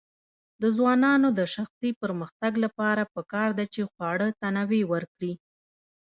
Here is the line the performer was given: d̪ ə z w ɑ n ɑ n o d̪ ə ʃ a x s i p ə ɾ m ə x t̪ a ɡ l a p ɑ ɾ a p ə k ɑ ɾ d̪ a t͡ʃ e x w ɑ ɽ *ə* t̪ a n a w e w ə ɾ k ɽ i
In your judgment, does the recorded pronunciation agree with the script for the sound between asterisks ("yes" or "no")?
yes